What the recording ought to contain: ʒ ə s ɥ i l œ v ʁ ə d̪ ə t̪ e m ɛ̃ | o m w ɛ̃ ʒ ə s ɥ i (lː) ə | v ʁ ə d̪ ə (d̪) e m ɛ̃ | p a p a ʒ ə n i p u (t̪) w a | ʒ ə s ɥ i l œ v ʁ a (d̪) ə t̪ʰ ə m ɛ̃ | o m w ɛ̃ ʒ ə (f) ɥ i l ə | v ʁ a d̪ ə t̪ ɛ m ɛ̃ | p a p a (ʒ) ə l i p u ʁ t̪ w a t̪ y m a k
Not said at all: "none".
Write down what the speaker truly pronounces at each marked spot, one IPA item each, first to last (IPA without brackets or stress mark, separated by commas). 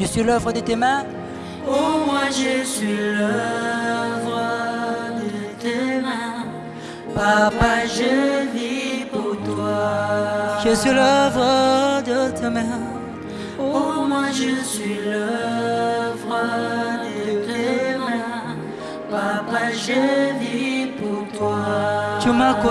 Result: l, t̪, t̪, d̪, s, ʒ